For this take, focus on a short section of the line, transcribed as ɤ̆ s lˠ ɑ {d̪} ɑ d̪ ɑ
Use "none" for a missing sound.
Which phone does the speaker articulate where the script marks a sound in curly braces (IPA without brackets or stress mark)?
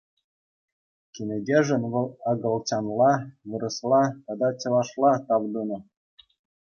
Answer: t̪